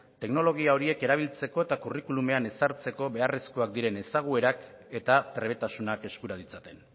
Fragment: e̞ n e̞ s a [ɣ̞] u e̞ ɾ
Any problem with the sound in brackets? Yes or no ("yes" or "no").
no